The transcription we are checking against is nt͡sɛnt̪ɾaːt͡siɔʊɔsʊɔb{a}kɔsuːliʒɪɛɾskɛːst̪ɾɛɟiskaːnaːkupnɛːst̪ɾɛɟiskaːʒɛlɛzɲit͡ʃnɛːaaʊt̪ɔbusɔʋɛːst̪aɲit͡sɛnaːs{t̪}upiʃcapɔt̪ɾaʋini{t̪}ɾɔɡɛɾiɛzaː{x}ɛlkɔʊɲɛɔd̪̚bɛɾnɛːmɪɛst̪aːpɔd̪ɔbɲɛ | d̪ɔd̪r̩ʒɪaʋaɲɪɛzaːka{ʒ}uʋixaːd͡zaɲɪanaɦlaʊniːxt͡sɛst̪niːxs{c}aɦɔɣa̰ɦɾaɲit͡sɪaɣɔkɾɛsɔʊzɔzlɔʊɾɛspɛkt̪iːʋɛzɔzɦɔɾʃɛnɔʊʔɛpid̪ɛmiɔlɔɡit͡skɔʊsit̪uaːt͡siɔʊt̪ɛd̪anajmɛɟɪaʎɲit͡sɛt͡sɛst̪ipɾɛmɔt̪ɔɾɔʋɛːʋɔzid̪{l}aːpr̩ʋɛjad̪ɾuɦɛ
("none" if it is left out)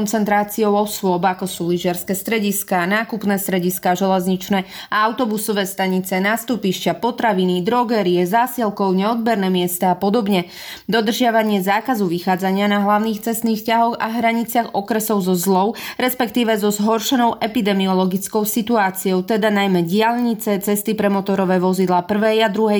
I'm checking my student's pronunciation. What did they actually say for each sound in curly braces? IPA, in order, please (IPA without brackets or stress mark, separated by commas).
a, t̪, d̪, s, z, c, l